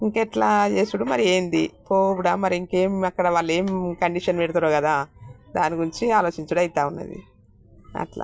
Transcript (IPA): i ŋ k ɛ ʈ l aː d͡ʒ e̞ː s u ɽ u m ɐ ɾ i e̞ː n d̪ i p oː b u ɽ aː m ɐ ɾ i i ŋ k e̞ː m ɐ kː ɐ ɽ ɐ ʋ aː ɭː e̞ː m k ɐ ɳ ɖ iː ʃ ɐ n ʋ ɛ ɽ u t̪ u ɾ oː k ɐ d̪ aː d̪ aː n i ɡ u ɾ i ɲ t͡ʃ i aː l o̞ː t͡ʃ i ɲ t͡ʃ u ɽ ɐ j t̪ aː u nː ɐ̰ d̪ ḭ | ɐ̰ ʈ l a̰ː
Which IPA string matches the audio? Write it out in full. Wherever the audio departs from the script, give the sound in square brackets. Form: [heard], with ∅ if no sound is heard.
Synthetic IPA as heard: i ŋ k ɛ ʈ l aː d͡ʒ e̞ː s u ɽ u m ɐ ɾ i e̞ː n d̪ i p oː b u ɽ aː m ɐ ɾ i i ŋ k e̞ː m ɐ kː ɐ ɽ ɐ ʋ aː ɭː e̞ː m k ɐ ɳ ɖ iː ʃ ɐ n ʋ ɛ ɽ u t̪ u ɾ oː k ɐ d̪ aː d̪ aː n i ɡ u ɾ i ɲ t͡ʃ i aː l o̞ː t͡ʃ i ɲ t͡ʃ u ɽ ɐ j t̪ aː u nː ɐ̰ d̪ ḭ | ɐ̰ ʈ l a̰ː